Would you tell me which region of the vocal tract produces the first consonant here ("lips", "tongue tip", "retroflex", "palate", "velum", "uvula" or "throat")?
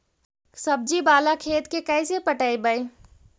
tongue tip